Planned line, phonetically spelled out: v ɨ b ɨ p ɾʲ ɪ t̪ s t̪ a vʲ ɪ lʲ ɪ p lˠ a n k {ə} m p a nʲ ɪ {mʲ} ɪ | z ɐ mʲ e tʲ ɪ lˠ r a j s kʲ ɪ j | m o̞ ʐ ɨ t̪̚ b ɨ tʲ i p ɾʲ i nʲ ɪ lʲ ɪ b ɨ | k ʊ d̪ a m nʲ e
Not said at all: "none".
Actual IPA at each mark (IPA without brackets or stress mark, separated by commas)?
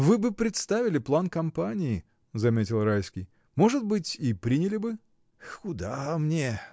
ɐ, none